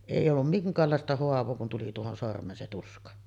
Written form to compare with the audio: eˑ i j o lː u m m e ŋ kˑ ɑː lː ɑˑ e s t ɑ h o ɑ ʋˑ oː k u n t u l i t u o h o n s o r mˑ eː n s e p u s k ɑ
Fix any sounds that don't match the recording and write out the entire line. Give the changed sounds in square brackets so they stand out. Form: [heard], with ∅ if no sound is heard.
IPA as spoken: eˑ i j o lː u m m [i] ŋ kˑ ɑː lː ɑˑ e s t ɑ h o ɑ ʋˑ oː k u n t u l i t u o h o n s o r mˑ eː n s e [t] u s k ɑ